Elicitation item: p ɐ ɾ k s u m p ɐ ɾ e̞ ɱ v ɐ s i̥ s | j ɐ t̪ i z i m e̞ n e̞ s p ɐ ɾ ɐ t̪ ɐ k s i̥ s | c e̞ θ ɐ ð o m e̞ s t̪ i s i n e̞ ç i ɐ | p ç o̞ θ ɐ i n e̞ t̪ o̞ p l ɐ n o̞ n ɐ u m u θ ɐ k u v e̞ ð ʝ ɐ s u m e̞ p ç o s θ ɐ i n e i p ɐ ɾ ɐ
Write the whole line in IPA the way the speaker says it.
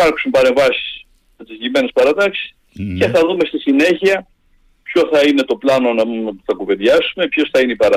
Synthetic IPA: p ɐ ɾ k s u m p ɐ ɾ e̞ ɱ v ɐ s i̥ s | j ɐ t̪ i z i m e̞ n e̞ s p ɐ ɾ ɐ t̪ ɐ k s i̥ s | c e̞ θ ɐ ð u m e̞ s t̪ i s i n e̞ ç i ɐ | p ç o̞ θ ɐ i n e̞ t̪ o̞ p l ɐ n o̞ n ɐ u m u θ ɐ k u v e̞ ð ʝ ɐ s u m e̞ p ç o s θ ɐ i n e i p ɐ ɾ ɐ